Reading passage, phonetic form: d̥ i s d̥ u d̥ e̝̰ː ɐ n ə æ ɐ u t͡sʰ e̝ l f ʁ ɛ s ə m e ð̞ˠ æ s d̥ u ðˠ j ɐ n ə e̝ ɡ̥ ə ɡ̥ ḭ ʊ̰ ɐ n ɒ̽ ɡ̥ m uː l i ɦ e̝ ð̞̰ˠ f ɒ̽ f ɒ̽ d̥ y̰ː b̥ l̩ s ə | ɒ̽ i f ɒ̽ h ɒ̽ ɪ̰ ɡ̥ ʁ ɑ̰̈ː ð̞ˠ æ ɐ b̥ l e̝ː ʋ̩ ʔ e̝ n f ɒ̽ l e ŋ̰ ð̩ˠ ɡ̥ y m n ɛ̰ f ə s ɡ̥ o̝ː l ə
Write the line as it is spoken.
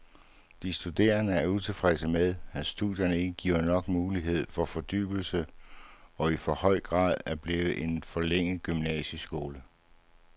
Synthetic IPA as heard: d̥ i s d̥ u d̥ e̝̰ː ɐ n ə æ ɐ u t͡sʰ e̝ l f ʁ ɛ s ə m e ð̞ˠ æ s d̥ u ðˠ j ɐ n ə e̝ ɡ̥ ə ɡ̥ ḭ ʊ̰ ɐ n ɒ̽ ɡ̥ m uː l i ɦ e̝ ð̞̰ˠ f ɒ̽ f ɒ̽ d̥ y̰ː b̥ l̩ s ə | ɒ̽ i f ɒ̽ h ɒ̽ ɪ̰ ɡ̥ ʁ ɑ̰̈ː ð̞ˠ æ ɐ b̥ l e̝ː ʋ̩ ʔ e̝ n f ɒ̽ l e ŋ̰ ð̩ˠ ɡ̥ y m n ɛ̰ ɕ ə s ɡ̥ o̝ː l ə